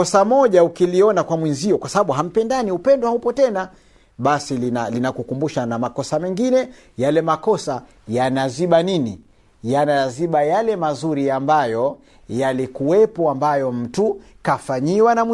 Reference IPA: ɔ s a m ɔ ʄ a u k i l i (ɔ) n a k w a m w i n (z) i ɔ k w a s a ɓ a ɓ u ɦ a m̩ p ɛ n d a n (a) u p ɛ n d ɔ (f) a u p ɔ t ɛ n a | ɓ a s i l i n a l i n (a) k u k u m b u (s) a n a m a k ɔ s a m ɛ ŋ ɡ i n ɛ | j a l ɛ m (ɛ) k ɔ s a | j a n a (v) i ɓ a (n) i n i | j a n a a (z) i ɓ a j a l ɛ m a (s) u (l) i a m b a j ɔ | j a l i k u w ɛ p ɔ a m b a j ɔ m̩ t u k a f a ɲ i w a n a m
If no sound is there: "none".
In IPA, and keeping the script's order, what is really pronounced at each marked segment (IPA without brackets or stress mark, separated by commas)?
ɔ, z, i, h, a, ʃ, a, z, n, z, z, ɾ